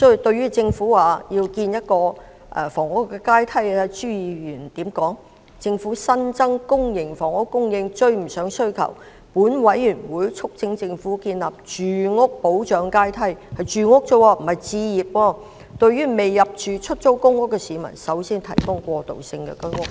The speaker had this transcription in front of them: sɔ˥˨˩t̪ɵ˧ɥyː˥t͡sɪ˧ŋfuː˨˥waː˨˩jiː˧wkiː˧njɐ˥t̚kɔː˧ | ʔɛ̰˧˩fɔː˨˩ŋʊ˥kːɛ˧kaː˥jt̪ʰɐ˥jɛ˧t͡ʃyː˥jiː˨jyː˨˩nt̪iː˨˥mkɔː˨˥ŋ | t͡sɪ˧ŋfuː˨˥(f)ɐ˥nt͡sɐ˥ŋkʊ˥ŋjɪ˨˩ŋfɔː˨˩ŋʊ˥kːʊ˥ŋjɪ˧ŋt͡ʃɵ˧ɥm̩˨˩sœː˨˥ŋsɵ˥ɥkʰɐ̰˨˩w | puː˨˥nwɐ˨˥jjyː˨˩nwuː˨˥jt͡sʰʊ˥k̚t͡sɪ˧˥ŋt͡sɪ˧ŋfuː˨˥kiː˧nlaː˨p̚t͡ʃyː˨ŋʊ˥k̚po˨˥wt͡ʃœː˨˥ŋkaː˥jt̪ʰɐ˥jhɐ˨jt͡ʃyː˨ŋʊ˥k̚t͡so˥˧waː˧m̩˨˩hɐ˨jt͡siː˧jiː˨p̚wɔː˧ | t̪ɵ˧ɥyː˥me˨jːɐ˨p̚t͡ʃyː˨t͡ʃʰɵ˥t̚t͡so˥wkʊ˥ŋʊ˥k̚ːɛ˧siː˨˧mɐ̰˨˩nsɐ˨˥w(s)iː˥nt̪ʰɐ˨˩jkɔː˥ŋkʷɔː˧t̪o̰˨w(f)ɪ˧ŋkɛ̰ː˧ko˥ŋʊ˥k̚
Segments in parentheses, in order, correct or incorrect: incorrect: s, correct, incorrect: s

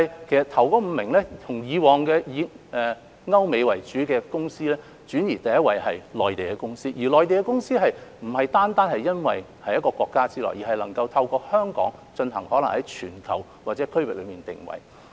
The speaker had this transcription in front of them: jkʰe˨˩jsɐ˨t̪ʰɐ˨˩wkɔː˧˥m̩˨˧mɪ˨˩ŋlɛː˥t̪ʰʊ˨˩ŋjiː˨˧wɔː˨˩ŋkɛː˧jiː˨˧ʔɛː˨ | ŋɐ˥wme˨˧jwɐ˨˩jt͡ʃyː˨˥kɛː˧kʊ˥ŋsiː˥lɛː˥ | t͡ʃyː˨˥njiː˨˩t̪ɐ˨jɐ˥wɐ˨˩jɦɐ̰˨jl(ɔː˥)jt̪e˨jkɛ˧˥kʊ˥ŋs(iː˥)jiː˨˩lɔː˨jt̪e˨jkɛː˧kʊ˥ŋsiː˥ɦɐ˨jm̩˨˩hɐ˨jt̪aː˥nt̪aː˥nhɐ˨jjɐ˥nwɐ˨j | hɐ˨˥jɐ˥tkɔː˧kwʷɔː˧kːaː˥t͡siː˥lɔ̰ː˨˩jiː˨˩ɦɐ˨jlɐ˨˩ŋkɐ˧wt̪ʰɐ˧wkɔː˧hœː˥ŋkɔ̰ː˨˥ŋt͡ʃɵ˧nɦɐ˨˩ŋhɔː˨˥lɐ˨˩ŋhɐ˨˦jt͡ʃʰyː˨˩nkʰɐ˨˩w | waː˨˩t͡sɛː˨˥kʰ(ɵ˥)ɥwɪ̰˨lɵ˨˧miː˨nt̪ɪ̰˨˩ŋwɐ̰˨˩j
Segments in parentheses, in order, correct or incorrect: incorrect: ɔː˨, correct, correct

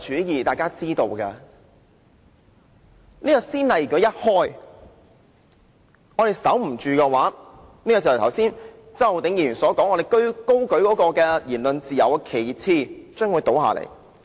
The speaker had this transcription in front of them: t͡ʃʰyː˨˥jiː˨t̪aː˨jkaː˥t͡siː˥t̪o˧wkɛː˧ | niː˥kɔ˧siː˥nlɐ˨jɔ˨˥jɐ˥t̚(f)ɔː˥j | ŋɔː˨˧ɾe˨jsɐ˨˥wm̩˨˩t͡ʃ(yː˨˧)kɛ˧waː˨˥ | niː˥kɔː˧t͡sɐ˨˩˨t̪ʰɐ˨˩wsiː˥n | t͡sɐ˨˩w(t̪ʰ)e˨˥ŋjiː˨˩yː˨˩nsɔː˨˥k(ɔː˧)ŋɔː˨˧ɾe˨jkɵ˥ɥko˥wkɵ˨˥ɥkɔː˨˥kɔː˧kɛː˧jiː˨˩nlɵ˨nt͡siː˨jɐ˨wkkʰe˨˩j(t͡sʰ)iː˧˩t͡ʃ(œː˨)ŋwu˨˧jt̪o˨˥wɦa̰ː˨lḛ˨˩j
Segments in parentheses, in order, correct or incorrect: incorrect: h, correct, incorrect: t̪, incorrect: ɔː˨˥, correct, incorrect: œː˥

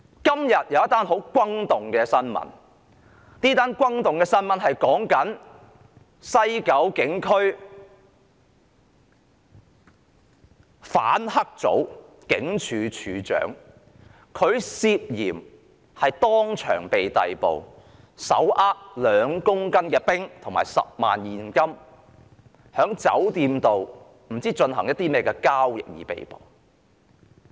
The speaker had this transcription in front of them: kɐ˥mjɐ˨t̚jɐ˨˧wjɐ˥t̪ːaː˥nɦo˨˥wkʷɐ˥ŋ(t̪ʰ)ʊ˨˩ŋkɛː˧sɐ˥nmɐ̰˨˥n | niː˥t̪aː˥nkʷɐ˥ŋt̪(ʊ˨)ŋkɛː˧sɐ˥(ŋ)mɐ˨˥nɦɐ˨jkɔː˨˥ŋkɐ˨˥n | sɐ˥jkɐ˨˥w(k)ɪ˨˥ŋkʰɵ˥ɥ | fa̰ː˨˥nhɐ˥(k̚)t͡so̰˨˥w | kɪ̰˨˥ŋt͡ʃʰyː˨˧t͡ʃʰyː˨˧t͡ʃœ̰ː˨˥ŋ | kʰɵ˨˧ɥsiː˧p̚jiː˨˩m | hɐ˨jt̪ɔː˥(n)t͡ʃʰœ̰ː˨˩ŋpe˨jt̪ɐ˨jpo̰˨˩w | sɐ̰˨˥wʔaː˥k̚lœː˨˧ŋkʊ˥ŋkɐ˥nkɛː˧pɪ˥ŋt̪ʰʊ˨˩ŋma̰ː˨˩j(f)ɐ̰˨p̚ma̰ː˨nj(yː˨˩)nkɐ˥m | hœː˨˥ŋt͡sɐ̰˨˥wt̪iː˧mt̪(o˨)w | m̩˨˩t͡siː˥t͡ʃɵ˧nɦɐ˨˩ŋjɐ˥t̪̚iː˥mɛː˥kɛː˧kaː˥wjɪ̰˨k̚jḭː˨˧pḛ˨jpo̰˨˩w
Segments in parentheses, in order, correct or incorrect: incorrect: t̪, correct, incorrect: n, correct, correct, incorrect: ŋ, incorrect: s, incorrect: iː˨˩, correct

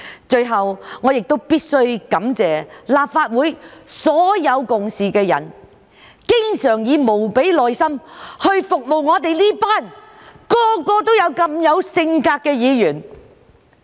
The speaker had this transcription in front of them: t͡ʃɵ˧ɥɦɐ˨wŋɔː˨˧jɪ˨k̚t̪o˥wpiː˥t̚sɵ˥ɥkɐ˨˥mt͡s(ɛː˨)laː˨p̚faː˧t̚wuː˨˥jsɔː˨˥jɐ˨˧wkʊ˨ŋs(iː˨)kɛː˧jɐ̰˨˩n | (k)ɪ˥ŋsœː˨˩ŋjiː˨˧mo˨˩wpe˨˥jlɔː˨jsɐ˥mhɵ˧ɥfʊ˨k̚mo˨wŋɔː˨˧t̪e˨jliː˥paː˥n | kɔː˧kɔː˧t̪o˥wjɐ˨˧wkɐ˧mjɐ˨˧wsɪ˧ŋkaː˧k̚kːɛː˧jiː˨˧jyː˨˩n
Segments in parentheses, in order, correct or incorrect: correct, correct, correct

